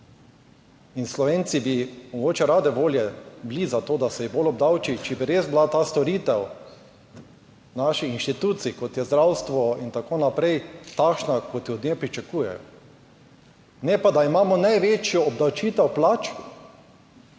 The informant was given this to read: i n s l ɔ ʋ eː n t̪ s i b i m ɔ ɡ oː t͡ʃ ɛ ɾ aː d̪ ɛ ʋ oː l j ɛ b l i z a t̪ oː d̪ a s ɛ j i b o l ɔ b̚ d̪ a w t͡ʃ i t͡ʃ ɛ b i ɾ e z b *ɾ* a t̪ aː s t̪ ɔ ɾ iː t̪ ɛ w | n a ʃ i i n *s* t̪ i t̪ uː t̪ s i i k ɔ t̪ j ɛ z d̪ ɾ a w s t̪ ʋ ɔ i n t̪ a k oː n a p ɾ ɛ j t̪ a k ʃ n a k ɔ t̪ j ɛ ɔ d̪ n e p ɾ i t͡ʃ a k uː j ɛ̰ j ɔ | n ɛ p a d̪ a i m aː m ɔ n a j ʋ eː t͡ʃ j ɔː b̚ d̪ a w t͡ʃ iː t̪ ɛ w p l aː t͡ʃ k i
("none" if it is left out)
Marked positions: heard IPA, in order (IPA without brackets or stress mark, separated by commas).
l, ʃ